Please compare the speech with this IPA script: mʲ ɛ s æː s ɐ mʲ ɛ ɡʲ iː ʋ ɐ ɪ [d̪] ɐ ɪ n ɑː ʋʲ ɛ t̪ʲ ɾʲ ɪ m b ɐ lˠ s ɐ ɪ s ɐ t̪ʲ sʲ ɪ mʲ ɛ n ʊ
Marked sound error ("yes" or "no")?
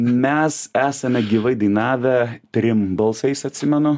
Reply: no